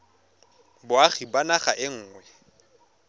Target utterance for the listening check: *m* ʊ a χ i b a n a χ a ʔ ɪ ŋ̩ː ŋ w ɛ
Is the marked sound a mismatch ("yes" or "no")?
yes